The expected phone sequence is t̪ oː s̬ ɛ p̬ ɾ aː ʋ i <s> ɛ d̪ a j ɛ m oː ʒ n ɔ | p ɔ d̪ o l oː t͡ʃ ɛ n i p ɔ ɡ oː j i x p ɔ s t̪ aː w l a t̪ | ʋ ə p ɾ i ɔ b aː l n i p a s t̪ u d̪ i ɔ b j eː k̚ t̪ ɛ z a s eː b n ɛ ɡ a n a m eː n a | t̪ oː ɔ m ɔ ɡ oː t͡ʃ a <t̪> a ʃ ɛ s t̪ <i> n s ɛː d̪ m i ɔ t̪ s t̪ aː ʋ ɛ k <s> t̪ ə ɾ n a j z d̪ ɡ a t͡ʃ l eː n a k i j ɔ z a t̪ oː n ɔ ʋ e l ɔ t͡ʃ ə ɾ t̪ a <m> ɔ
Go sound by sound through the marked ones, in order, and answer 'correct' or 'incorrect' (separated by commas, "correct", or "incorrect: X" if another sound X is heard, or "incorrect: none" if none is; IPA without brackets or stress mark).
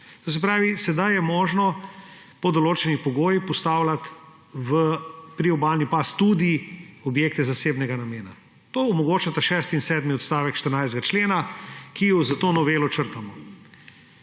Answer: correct, correct, correct, incorrect: ʃ, correct